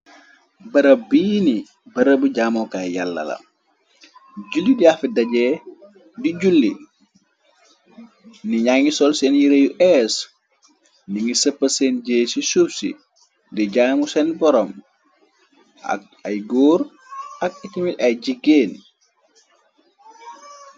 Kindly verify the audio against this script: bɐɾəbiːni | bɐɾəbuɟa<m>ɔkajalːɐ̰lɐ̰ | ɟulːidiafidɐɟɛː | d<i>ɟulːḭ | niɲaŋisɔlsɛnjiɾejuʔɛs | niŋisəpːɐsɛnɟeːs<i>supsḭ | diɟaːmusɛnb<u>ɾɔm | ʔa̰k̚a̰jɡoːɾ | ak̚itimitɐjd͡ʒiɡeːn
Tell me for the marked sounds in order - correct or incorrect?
correct, correct, correct, incorrect: ɔ

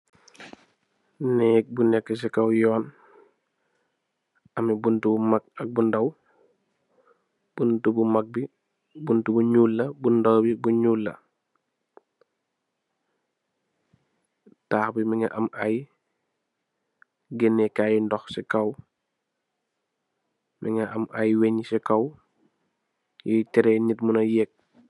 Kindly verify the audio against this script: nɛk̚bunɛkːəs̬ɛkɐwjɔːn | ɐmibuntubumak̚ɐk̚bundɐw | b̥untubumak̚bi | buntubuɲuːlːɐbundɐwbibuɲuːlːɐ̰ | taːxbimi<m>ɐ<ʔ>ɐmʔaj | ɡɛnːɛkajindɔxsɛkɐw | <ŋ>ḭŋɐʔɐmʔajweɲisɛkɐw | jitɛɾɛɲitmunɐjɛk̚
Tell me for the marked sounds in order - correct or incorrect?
incorrect: ŋ, correct, incorrect: m

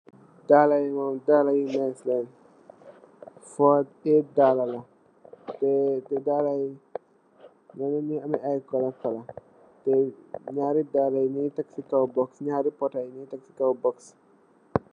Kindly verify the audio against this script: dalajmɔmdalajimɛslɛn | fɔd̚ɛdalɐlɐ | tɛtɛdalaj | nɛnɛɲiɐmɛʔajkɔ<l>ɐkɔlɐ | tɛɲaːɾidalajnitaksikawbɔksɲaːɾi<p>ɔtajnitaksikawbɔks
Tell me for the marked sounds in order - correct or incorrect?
correct, correct

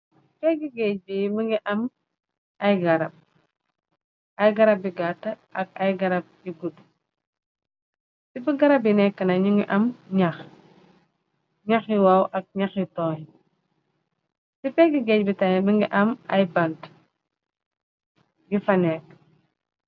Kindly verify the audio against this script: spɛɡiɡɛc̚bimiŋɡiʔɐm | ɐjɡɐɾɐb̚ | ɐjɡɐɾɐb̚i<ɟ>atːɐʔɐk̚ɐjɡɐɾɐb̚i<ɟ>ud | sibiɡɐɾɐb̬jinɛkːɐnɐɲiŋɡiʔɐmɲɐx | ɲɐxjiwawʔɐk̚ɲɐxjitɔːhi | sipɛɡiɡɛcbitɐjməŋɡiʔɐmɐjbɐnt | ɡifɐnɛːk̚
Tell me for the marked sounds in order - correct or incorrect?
incorrect: ɡ, incorrect: ɡ

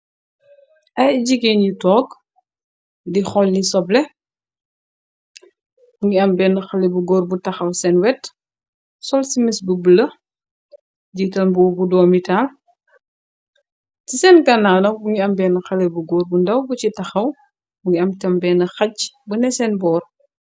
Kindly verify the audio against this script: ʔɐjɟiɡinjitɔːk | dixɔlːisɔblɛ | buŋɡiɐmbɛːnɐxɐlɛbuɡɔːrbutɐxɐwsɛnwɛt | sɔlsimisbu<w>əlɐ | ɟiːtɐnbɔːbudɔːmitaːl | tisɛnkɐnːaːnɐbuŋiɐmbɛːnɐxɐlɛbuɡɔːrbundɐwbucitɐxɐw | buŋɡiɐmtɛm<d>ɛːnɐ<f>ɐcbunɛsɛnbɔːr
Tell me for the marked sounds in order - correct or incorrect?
incorrect: b, incorrect: b, incorrect: x

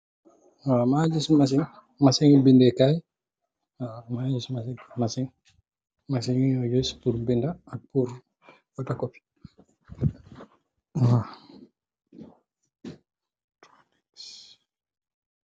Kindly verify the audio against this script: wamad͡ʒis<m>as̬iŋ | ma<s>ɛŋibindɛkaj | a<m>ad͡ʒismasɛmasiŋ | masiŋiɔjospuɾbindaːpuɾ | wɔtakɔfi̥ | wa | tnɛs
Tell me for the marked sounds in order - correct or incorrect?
correct, correct, correct

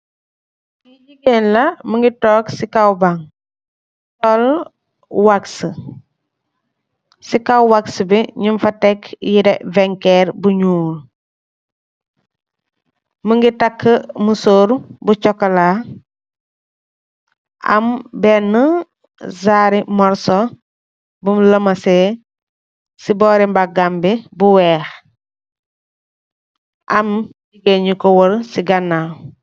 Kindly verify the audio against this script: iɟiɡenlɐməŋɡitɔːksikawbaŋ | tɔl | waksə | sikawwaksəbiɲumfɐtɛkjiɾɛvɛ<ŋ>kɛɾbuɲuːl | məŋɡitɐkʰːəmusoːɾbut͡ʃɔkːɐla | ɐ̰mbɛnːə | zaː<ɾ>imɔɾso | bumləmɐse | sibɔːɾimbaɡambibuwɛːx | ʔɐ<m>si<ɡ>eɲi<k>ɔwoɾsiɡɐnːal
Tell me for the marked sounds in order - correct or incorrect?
correct, correct, correct, correct, correct

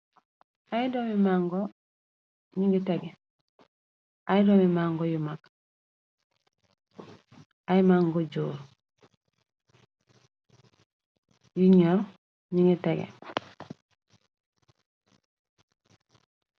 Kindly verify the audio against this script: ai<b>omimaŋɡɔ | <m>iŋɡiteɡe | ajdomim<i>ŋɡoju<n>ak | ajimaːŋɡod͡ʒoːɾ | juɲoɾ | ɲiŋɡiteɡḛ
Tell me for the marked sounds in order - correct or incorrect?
incorrect: d, incorrect: ɲ, incorrect: a, incorrect: m

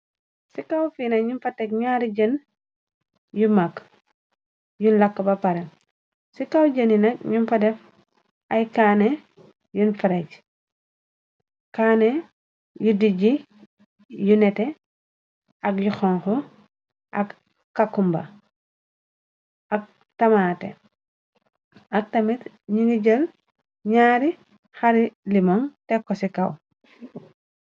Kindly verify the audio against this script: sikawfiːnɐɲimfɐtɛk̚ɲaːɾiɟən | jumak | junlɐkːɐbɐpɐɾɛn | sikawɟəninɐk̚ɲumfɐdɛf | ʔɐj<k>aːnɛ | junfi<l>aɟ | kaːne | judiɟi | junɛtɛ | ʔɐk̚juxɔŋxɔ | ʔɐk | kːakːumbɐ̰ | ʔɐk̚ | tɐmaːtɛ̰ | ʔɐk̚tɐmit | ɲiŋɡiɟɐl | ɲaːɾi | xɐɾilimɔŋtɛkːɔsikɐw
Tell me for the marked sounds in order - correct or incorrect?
correct, incorrect: ɾ

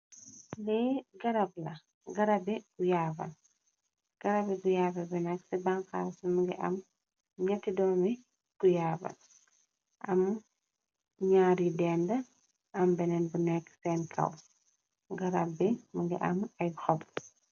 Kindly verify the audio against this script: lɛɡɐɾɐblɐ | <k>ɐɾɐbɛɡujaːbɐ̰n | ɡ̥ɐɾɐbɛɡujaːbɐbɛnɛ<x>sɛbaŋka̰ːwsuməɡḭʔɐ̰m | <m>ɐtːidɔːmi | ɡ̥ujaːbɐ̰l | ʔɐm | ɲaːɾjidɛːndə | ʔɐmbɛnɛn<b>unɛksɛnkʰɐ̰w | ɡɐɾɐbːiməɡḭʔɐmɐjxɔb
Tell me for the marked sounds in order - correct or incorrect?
incorrect: ɡ, incorrect: k, incorrect: ɲ, correct

